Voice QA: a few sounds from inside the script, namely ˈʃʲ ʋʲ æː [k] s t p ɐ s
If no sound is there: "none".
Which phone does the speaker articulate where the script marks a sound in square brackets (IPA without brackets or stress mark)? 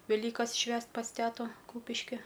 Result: none